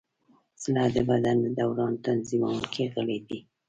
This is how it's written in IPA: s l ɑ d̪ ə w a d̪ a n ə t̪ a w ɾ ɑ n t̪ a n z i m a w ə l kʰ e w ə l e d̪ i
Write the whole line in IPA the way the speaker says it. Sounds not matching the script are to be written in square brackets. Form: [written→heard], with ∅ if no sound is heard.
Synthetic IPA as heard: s l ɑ d̪ ə [w→b] a d̪ a n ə [t̪→d̪] a w ɾ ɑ n t̪ a n z i m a w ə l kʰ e [w→ɣ] ə l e d̪ i